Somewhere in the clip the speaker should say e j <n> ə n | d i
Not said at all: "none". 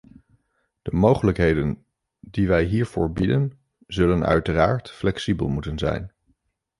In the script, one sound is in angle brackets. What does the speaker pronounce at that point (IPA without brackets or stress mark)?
d